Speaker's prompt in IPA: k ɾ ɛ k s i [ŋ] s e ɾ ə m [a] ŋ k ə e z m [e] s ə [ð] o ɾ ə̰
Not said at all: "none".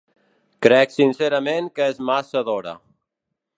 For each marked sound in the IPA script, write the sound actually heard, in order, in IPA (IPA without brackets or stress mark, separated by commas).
n, e, a, ð